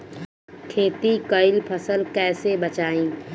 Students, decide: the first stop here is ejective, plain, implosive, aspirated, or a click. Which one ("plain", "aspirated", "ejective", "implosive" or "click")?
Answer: aspirated